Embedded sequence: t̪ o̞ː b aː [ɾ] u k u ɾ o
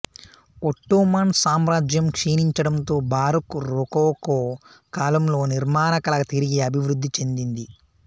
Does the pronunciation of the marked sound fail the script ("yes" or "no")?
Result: no